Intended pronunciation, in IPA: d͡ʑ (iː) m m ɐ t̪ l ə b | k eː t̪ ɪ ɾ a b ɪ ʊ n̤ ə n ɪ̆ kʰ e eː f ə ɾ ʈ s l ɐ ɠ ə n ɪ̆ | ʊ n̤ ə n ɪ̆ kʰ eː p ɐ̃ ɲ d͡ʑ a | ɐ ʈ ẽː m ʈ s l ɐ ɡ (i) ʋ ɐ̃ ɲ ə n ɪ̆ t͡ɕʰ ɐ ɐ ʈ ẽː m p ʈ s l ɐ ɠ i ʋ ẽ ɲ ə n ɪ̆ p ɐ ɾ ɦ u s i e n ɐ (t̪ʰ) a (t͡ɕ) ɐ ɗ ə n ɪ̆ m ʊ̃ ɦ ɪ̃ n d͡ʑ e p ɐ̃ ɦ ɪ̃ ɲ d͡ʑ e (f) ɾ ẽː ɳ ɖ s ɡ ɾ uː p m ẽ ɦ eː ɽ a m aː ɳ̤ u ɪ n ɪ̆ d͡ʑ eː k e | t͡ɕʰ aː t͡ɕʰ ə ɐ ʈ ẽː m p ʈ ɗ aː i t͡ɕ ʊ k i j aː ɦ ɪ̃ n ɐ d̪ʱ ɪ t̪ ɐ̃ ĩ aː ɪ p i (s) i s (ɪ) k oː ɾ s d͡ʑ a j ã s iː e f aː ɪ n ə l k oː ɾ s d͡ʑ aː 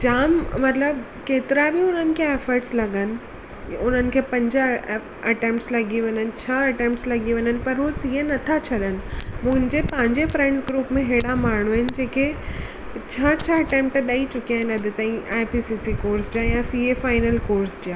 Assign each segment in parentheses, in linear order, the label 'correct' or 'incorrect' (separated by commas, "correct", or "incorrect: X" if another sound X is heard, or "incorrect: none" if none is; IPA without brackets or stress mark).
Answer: incorrect: aː, correct, correct, incorrect: t͡ɕʰ, correct, correct, incorrect: i